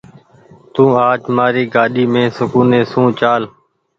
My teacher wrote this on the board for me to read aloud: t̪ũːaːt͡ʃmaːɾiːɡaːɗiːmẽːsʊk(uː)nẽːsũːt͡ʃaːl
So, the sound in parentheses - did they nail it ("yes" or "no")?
yes